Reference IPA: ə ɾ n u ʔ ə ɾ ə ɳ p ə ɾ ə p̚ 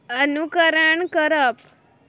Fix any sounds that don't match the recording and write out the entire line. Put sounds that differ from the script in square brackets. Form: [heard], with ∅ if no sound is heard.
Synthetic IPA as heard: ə [∅] n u [k] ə ɾ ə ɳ [k] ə ɾ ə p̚